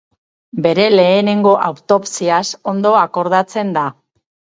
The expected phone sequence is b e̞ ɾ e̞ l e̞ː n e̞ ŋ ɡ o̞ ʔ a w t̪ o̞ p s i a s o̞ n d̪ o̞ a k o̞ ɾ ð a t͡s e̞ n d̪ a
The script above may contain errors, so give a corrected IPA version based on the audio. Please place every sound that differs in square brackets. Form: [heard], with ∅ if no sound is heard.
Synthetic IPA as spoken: b e̞ ɾ e̞ l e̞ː n e̞ ŋ ɡ o̞ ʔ a w t̪ o̞ p s i a s o̞ n d̪ o̞ a k o̞ ɾ ð a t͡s e̞ n d̪ a